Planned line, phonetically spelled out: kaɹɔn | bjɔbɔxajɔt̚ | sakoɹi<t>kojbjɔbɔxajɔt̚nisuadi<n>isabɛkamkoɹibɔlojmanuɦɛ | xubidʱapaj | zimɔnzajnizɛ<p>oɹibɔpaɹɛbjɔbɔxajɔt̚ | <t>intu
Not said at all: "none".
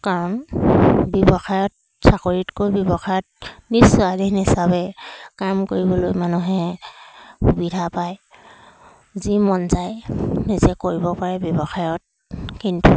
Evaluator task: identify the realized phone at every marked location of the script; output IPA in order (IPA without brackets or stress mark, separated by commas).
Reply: t, n, k, k